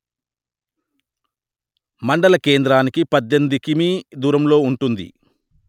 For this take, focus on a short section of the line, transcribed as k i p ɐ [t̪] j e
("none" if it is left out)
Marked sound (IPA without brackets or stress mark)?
d̪